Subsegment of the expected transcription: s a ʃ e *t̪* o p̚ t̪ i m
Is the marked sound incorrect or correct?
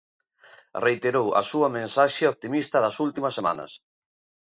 incorrect